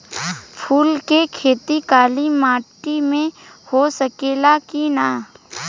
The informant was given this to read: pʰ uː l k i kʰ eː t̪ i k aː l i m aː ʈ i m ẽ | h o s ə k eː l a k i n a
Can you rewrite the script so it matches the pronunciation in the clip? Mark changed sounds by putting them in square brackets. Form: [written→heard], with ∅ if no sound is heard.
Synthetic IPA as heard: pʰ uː l k [i→e] kʰ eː t̪ i k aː l i m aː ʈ i m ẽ | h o s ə k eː l a k i n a

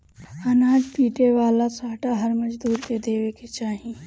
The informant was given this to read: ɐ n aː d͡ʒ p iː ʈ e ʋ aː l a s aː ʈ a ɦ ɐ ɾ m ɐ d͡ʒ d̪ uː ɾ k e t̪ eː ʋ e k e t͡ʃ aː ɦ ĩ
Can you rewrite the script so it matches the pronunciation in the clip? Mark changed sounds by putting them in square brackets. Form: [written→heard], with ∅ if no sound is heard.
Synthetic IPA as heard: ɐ n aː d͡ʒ p iː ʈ e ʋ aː l a s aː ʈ a ɦ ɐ ɾ m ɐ d͡ʒ d̪ uː ɾ k e [t̪→d̪] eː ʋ e k e t͡ʃ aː ɦ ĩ

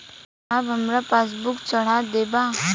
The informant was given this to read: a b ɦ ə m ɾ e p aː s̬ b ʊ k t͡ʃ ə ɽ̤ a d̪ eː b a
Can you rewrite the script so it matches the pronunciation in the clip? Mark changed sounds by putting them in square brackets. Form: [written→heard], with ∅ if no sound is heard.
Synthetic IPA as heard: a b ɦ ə m ɾ [e→a] p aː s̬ b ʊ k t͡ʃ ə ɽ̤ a d̪ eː b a

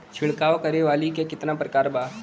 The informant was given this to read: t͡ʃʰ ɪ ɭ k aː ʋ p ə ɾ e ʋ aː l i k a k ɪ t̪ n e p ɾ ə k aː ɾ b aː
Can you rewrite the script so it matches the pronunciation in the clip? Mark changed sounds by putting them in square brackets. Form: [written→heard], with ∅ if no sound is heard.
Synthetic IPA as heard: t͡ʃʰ ɪ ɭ k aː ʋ [p→k] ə ɾ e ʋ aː l i k [a→e] k ɪ t̪ n [e→a] p ɾ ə k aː ɾ b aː

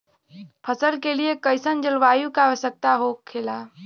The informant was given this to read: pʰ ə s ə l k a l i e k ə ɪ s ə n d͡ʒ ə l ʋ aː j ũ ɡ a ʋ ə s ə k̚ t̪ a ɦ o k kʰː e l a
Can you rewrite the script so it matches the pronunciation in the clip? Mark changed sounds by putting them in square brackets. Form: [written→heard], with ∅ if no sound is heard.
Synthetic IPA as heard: pʰ ə s ə l k [a→e] l i e k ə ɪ s ə n d͡ʒ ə l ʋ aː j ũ [ɡ→k] a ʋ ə s ə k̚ t̪ a ɦ o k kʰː e l a

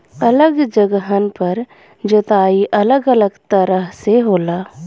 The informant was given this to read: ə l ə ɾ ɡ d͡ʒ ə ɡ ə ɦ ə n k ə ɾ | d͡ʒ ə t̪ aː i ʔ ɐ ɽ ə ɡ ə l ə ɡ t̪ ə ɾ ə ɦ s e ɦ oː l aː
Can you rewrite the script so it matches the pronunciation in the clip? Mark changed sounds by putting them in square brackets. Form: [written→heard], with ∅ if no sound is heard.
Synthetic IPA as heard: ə l ə [ɾ→∅] ɡ d͡ʒ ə ɡ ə ɦ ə n [k→p] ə ɾ | d͡ʒ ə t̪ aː i ʔ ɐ [ɽ→l] ə ɡ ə l ə ɡ t̪ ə ɾ ə ɦ s e ɦ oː l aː

